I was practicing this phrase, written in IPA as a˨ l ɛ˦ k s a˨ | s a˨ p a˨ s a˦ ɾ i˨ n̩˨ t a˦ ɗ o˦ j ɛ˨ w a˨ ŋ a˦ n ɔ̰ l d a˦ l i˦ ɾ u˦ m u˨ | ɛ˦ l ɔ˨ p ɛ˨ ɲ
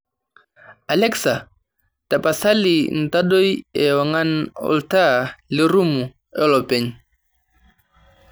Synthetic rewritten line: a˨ l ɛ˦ k s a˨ | t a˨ p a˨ s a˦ l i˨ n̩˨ t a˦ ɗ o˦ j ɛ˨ w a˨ ŋ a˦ n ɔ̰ l t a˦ l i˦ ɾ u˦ m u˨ | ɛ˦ l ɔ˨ p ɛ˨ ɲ